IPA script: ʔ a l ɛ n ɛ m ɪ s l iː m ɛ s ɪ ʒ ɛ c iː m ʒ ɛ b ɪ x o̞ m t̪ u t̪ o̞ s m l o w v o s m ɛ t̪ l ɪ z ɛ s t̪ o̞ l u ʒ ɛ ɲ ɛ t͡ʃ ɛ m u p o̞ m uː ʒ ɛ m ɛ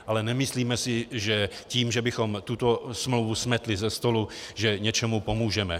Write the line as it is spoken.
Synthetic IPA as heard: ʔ a l ɛ n ɛ m ɪ s l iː m ɛ s ɪ ʒ ɛ c iː m ʒ ɛ b ɪ x o̞ m t̪ u t̪ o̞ s m l o w v u s m ɛ t̪ l ɪ z ɛ s t̪ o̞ l u ʒ ɛ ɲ ɛ t͡ʃ ɛ m u p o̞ m uː ʒ ɛ m ɛ